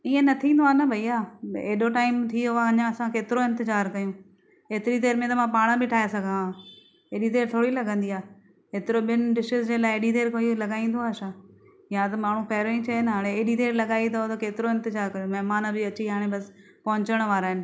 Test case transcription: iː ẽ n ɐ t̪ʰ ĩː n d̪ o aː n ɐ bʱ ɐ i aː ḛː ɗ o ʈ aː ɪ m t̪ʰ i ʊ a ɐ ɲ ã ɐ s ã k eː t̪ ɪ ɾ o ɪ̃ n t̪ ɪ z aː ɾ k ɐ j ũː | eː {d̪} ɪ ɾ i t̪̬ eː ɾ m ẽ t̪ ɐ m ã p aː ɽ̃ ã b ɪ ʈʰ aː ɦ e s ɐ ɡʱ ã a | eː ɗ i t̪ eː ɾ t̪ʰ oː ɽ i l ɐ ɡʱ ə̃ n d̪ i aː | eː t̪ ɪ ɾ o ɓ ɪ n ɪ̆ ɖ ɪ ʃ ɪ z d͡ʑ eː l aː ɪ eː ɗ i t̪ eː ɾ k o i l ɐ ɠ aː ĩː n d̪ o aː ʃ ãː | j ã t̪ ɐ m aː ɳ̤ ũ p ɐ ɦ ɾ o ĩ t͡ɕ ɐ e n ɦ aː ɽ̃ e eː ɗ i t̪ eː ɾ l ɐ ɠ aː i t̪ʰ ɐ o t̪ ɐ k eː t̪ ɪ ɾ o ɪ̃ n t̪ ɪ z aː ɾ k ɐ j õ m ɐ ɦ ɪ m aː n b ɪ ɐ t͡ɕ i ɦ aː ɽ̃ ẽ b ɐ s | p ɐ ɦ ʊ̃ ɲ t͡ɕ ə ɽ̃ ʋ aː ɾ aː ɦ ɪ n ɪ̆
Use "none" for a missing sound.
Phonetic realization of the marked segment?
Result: t̪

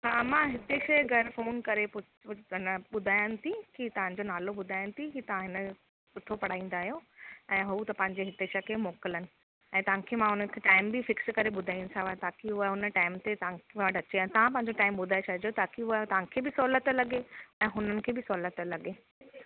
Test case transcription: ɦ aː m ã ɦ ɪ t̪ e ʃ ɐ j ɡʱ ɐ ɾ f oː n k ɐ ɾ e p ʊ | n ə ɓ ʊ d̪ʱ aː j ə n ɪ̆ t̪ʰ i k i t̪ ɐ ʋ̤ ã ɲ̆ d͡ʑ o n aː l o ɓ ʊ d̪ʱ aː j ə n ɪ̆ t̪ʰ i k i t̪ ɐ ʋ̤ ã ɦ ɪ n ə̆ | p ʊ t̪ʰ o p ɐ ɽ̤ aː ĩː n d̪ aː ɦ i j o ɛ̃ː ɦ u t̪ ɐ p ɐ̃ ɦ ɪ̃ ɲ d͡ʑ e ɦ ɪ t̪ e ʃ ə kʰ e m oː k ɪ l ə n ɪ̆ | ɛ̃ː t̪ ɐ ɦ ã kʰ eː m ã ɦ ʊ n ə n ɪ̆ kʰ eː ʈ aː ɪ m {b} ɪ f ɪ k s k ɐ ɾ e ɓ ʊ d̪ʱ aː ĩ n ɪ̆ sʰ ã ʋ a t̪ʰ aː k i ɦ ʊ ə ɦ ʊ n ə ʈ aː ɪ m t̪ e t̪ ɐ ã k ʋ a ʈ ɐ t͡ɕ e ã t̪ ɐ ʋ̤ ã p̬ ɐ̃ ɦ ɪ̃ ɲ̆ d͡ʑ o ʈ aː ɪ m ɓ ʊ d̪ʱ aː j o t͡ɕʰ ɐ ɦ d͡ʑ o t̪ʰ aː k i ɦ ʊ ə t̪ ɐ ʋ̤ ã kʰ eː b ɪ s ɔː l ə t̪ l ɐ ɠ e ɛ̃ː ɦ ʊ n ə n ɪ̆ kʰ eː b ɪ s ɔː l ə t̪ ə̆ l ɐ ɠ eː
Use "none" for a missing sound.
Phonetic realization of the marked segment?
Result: b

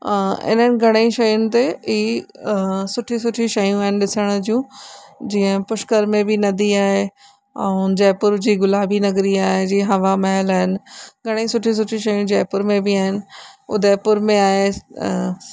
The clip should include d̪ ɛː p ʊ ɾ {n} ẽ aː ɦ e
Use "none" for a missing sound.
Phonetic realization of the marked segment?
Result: m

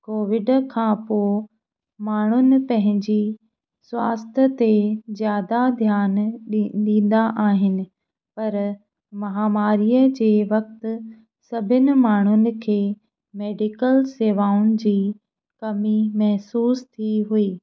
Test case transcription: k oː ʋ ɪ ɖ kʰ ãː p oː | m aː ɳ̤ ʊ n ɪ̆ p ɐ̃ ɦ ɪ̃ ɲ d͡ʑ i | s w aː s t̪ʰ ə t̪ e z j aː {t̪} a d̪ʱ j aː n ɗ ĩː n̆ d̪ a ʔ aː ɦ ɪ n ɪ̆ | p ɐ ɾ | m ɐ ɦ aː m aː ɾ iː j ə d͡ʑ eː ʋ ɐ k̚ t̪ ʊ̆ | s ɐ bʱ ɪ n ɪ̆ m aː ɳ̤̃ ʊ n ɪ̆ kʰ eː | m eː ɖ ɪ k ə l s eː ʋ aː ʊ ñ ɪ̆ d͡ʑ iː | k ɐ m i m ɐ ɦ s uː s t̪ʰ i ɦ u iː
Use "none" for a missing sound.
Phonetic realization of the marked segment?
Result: d̪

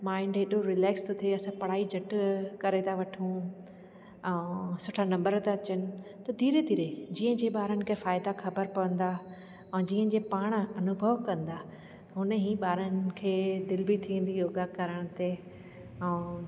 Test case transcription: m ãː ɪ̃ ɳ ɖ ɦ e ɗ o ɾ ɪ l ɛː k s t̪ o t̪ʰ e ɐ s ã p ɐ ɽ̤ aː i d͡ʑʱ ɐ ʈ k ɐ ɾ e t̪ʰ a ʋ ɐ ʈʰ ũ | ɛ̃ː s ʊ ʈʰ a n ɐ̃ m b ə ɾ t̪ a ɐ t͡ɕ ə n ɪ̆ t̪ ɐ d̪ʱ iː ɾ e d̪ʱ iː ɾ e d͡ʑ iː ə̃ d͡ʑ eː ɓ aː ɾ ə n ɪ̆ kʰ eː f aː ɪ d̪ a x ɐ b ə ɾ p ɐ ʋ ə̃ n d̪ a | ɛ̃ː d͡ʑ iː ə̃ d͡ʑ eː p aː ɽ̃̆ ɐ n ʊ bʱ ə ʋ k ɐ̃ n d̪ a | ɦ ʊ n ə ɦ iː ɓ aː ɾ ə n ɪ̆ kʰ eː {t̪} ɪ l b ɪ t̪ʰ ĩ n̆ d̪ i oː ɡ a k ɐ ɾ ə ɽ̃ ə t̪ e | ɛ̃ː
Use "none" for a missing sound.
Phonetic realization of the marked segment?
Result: d̪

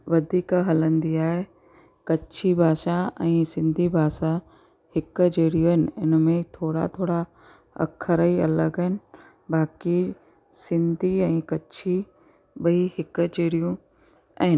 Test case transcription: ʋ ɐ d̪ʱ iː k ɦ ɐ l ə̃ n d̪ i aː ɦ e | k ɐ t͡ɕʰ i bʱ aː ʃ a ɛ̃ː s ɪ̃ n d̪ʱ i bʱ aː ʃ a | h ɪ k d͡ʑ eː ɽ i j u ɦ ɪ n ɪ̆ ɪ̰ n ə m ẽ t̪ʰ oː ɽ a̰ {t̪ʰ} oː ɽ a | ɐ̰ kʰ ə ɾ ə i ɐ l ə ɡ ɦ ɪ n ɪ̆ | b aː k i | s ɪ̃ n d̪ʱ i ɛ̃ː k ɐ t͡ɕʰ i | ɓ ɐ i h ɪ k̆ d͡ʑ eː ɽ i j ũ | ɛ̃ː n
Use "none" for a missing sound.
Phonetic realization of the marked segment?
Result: t̪ʰ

